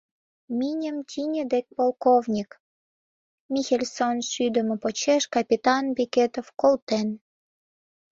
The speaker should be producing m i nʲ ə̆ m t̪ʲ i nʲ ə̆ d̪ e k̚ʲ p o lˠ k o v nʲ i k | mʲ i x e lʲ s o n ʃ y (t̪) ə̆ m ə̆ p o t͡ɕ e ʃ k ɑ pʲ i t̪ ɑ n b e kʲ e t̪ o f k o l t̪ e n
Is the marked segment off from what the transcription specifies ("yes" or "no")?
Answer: yes